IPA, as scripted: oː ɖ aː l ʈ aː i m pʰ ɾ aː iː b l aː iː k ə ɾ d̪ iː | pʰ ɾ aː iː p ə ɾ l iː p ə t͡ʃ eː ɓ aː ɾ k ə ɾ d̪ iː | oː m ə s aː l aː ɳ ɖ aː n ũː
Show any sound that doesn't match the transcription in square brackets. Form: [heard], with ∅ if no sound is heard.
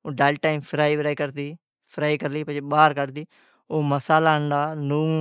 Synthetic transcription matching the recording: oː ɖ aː l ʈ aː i m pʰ ɾ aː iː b [ɾ] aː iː k ə ɾ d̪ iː | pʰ ɾ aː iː [k] ə ɾ l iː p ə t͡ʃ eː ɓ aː ɾ k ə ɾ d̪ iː | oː m ə s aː l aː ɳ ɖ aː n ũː